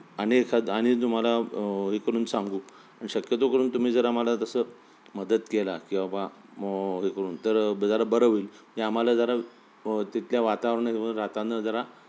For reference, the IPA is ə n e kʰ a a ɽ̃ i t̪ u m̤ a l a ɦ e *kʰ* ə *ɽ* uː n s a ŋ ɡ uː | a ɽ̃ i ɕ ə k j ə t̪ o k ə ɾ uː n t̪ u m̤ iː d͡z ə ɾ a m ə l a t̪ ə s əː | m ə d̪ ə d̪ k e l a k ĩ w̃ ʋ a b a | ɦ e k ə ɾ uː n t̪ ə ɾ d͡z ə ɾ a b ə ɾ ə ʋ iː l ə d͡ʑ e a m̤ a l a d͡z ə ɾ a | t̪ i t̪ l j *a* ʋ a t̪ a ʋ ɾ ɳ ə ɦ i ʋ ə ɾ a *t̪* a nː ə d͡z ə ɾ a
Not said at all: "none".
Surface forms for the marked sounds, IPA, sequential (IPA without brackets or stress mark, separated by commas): k, ɾ, a, t̪